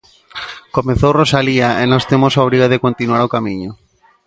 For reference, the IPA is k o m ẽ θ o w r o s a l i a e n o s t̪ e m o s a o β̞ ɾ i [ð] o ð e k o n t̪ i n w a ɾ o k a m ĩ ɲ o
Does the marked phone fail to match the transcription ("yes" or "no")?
yes